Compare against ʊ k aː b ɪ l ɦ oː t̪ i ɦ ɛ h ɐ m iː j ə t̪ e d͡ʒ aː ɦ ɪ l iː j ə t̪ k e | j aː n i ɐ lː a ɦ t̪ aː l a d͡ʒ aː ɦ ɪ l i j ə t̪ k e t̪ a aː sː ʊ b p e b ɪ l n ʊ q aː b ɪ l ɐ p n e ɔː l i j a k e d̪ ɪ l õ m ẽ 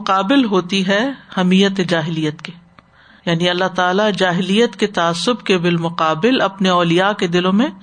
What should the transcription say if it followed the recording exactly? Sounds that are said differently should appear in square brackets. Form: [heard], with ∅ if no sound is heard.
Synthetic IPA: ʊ [q] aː b ɪ l ɦ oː t̪ i ɦ ɛ h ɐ m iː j ə t̪ e d͡ʒ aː ɦ ɪ l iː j ə t̪ k e | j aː n i ɐ lː a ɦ t̪ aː l a d͡ʒ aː ɦ ɪ l i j ə t̪ k e t̪ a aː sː ʊ b [k] e b ɪ l [m] ʊ q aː b ɪ l ɐ p n e ɔː l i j a k e d̪ ɪ l õ m ẽ